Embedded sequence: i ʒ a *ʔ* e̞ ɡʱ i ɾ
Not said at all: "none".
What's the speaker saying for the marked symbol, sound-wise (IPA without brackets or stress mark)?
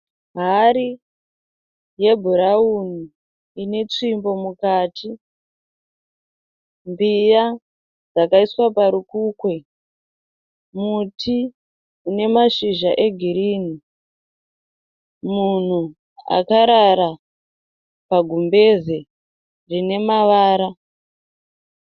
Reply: ʔ